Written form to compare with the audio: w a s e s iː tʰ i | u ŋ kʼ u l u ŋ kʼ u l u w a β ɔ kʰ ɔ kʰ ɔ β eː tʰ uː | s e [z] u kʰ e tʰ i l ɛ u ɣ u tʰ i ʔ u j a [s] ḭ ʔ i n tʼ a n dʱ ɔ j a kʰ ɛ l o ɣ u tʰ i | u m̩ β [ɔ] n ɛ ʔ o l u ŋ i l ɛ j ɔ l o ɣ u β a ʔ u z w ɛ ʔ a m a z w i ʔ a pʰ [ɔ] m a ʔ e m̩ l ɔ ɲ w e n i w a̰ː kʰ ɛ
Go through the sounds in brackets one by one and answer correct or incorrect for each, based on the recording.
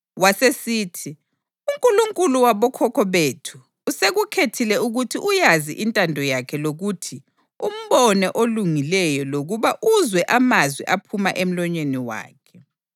incorrect: ɣ, incorrect: z, correct, incorrect: u

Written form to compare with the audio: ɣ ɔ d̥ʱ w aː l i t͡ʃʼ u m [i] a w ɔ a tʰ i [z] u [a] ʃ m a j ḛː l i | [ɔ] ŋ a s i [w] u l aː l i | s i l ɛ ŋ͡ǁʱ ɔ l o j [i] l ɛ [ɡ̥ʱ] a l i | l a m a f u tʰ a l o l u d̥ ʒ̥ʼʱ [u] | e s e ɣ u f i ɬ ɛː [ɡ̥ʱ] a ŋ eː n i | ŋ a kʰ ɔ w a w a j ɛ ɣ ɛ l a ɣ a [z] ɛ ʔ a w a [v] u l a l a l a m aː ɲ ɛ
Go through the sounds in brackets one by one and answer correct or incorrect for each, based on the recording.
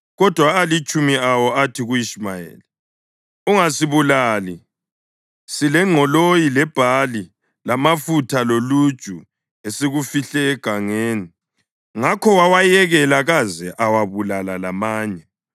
correct, incorrect: ɣ, incorrect: i, incorrect: u, incorrect: β, correct, incorrect: b̥ʱ, correct, correct, correct, incorrect: β

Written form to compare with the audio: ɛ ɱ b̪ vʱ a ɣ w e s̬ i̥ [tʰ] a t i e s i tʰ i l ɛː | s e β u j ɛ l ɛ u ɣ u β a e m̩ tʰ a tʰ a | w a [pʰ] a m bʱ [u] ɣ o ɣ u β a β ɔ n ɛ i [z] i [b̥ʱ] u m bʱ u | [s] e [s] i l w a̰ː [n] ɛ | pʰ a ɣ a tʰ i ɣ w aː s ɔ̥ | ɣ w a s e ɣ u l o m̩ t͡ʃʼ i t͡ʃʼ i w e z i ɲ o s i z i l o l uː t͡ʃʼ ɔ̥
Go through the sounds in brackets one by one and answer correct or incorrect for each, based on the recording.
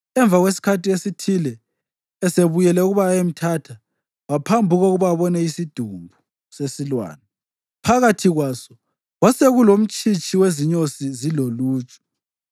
incorrect: kʰ, correct, correct, incorrect: s, incorrect: d̥ʱ, correct, correct, correct

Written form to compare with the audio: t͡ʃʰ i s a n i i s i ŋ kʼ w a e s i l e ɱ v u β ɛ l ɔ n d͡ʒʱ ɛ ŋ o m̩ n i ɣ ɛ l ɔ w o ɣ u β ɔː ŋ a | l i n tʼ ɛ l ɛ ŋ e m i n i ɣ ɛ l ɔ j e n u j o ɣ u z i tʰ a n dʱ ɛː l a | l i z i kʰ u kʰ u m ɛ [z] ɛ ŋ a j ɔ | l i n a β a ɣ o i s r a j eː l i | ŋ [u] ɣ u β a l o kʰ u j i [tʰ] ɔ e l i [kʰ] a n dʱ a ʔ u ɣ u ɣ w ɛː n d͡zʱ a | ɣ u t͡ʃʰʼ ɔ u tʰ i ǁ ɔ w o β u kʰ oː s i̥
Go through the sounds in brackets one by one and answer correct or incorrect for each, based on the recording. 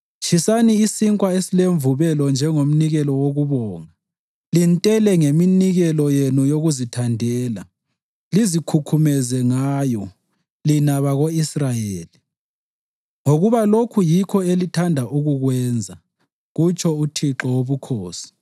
correct, incorrect: o, incorrect: kʰ, incorrect: tʰ

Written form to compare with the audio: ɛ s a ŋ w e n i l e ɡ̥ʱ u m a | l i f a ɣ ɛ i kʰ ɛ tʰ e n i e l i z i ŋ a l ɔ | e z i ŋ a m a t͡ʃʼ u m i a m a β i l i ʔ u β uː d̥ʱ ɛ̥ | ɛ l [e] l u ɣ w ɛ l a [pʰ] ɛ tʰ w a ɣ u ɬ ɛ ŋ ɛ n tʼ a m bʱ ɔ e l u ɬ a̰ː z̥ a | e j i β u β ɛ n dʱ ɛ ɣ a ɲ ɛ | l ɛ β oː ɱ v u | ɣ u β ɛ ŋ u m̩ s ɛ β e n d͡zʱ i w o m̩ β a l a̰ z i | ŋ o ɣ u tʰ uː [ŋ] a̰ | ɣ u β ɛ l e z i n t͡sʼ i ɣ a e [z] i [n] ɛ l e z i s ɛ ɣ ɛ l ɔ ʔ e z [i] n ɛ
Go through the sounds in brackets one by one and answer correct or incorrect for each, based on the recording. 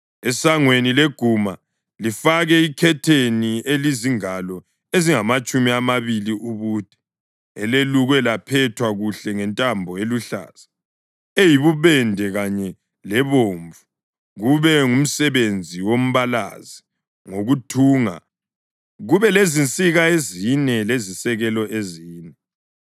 correct, correct, correct, correct, correct, incorrect: iː

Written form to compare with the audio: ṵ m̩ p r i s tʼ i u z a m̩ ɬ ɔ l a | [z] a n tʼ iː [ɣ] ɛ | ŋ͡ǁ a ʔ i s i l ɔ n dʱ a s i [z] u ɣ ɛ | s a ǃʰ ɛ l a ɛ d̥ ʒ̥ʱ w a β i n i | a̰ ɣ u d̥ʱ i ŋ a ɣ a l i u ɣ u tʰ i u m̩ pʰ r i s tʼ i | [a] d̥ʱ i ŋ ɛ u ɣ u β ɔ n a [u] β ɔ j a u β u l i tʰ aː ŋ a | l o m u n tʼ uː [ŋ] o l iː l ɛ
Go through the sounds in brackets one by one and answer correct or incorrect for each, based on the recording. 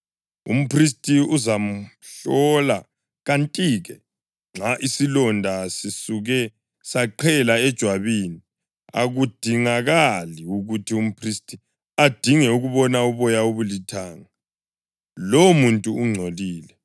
incorrect: ɣ, correct, incorrect: s, correct, correct, incorrect: ŋ͡ǀʱ

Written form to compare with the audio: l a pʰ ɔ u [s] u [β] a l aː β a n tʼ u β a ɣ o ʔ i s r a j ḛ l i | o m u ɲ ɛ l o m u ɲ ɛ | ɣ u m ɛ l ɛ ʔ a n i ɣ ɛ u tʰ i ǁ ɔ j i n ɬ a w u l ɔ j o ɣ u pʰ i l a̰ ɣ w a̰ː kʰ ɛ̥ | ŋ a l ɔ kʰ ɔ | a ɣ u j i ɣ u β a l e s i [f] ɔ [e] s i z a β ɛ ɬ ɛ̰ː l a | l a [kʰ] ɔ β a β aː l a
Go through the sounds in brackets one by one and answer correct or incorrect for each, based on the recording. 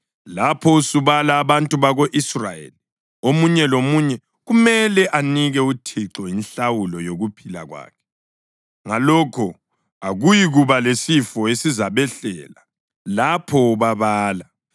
correct, correct, correct, correct, incorrect: pʰ

